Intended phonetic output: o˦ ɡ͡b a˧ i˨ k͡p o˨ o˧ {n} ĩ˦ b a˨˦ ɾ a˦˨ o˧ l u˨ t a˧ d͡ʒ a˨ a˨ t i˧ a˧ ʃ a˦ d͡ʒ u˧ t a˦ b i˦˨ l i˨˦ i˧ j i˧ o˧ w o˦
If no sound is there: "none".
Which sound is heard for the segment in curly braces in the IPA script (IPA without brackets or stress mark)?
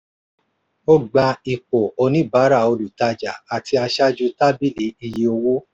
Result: n